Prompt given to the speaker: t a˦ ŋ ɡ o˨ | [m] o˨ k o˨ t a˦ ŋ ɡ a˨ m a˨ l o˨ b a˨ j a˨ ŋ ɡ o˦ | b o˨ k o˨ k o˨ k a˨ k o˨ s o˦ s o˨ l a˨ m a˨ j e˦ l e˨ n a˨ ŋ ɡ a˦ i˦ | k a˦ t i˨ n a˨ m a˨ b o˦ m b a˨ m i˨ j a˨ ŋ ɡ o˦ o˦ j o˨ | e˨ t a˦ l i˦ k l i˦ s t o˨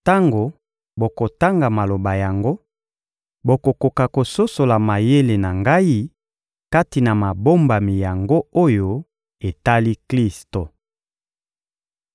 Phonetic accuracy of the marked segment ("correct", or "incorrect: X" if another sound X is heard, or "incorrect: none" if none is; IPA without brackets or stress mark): incorrect: b